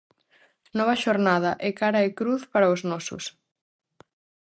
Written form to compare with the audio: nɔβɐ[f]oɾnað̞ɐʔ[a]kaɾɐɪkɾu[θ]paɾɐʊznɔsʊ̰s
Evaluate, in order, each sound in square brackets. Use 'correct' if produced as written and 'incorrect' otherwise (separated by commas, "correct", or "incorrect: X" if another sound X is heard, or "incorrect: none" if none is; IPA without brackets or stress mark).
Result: incorrect: ʃ, incorrect: ɛ, correct